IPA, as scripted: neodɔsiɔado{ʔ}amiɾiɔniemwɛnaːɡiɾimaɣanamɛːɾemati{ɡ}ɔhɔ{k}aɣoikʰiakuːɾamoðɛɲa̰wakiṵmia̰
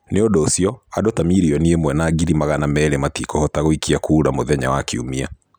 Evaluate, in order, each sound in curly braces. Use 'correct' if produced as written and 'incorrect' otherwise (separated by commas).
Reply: incorrect, incorrect, incorrect